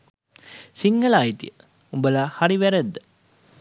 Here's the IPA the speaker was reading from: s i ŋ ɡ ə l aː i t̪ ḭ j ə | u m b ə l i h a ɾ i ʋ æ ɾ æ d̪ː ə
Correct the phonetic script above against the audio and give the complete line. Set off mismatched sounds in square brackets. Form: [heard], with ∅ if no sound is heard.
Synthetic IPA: s i ŋ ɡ ə l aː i t̪ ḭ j ə | u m b ə l [a] h a ɾ i ʋ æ ɾ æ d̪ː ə